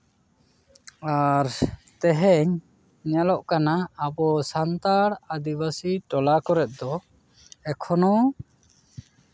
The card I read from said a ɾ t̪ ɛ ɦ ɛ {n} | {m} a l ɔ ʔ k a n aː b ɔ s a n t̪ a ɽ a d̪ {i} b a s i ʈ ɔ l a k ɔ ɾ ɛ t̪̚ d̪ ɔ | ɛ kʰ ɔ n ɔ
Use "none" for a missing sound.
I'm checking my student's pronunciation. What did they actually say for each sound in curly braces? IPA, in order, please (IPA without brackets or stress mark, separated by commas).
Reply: ɲ, ɲ, i